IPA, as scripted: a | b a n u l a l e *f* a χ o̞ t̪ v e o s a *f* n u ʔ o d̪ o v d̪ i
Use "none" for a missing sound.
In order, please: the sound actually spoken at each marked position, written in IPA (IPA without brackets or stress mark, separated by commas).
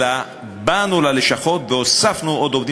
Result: ʃ, f